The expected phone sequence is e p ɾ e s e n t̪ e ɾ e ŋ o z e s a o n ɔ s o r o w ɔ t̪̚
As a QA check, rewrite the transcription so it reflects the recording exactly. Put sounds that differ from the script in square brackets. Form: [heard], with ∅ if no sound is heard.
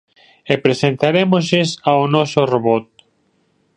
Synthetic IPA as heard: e p ɾ e s e n t̪ [a] ɾ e [m] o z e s a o n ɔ s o r o [β] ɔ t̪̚